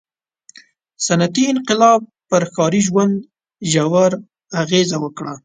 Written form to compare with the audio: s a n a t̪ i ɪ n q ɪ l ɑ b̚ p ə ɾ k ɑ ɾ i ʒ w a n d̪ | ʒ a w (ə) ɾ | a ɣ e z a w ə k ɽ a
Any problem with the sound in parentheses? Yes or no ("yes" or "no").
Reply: yes